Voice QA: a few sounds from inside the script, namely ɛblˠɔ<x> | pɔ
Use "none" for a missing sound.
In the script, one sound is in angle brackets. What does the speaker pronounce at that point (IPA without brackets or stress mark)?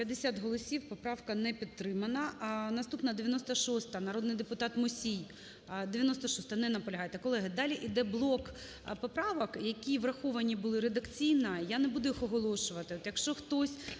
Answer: k